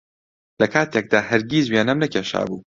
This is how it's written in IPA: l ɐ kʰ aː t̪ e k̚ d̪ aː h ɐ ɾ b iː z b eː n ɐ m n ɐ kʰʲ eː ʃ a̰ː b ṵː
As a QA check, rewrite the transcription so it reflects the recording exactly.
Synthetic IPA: l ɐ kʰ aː t̪ e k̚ d̪ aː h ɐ ɾ ɡ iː z w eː n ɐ m n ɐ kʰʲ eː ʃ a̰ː b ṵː